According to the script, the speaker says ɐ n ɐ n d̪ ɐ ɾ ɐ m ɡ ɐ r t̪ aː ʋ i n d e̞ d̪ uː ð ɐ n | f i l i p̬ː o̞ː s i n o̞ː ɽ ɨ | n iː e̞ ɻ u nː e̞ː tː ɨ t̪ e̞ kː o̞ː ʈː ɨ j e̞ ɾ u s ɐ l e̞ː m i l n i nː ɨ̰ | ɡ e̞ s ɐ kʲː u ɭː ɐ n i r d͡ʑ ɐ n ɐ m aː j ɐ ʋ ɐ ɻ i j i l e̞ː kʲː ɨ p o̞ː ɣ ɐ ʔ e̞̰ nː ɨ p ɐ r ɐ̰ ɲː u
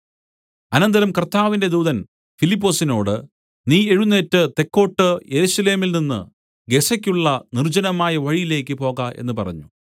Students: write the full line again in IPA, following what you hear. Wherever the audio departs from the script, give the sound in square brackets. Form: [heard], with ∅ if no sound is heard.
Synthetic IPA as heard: ɐ n ɐ n d̪ ɐ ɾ ɐ m [k] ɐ r t̪ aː ʋ i n d e̞ d̪ uː ð ɐ n | f i l i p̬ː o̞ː s i n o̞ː ɽ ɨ | n iː e̞ ɻ u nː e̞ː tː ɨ t̪ e̞ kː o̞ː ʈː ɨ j e̞ ɾ u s ɐ l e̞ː m i l n i nː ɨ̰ | ɡ e̞ s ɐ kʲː u ɭː ɐ n i r d͡ʑ ɐ n ɐ m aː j ɐ ʋ ɐ ɻ i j i l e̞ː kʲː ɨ p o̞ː ɣ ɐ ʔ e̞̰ nː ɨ p ɐ r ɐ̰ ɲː u